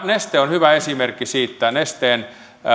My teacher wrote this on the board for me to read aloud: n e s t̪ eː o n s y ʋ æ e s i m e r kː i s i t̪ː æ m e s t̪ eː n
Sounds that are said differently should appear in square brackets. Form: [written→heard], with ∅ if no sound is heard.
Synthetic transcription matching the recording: n e s t̪ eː o n [s→h] y ʋ æ e s i m e r kː i s [i→iː] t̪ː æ [m→n] e s t̪ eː n